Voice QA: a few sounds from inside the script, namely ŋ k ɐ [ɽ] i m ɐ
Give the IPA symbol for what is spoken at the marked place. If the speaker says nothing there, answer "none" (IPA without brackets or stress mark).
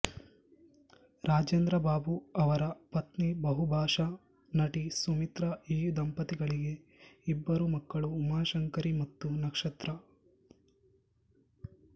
ɾ